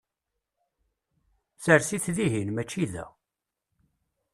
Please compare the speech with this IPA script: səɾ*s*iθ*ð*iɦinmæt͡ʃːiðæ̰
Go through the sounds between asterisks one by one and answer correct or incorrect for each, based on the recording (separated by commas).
correct, correct